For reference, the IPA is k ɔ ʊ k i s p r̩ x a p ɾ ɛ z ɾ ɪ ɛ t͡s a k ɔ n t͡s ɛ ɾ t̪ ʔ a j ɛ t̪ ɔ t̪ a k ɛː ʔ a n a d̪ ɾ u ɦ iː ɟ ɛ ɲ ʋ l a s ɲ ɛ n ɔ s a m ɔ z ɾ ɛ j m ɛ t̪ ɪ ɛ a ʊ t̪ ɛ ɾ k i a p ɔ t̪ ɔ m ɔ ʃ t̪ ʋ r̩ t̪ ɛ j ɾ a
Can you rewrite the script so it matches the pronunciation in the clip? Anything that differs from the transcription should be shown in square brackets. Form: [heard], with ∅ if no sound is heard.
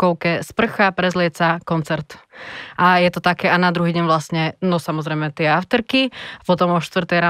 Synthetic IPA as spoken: k ɔ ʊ k [ɛ] s p r̩ x a p ɾ ɛ z [l] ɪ ɛ t͡s a k ɔ n t͡s ɛ ɾ t̪ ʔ a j ɛ t̪ ɔ t̪ a k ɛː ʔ a n a d̪ ɾ u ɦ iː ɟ ɛ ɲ ʋ l a s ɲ ɛ n ɔ s a m ɔ z ɾ ɛ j m ɛ t̪ ɪ ɛ a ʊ t̪ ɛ ɾ k i a p ɔ t̪ ɔ m ɔ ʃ t̪ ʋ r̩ t̪ ɛ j ɾ a